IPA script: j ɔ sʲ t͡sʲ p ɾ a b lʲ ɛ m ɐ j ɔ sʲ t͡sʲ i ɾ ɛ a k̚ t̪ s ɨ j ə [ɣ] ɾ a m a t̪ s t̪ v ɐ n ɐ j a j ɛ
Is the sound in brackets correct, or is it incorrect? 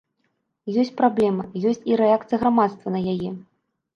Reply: correct